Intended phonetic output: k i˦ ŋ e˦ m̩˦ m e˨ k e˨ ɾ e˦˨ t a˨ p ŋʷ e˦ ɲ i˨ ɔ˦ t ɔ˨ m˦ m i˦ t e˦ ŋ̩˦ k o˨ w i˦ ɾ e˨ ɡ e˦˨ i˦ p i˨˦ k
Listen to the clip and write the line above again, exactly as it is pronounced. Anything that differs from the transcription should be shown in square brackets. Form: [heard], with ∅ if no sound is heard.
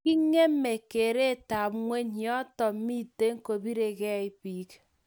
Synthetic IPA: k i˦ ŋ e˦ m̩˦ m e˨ k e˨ ɾ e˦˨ t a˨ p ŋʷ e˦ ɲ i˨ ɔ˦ t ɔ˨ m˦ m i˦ t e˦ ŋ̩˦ k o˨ [b] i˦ ɾ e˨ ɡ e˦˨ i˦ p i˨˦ k